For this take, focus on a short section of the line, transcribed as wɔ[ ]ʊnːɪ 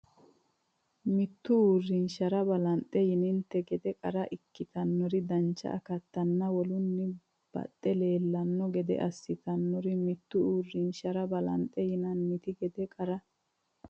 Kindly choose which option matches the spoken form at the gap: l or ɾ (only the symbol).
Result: l